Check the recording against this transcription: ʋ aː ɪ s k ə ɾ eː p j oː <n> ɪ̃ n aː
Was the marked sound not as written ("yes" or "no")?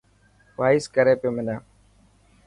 yes